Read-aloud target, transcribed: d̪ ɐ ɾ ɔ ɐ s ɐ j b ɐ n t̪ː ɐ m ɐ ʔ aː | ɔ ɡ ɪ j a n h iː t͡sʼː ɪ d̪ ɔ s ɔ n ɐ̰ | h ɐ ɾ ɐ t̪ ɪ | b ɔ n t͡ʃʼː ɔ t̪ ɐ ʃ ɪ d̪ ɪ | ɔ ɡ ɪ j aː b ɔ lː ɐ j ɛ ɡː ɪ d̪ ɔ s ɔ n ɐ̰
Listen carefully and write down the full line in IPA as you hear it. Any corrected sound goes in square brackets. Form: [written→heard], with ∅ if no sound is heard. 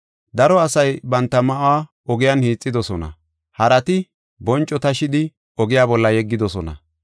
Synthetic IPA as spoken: d̪ ɐ ɾ ɔ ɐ s ɐ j b ɐ n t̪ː ɐ m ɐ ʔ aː | ɔ ɡ ɪ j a n h iː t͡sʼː ɪ d̪ ɔ s ɔ n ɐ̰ | h ɐ ɾ ɐ t̪ ɪ | b ɔ n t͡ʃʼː ɔ t̪ ɐ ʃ ɪ d̪ ɪ | ɔ ɡ ɪ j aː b ɔ lː ɐ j ɛ ɡː ɪ d̪ ɔ s ɔ n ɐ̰